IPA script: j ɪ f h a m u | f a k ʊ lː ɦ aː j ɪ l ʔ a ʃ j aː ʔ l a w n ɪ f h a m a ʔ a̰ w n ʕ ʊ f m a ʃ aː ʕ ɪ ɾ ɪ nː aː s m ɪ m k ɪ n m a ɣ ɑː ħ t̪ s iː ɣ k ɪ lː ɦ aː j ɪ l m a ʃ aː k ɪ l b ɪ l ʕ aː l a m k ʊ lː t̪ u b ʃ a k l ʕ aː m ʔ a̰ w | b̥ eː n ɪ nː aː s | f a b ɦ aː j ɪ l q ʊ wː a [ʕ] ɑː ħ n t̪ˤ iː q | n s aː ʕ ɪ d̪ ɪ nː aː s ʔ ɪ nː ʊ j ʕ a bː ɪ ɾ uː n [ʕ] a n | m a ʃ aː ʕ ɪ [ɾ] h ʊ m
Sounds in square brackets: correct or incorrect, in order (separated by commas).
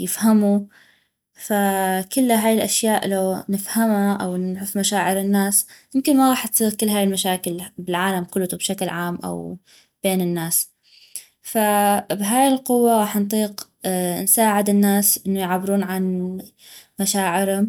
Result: incorrect, correct, correct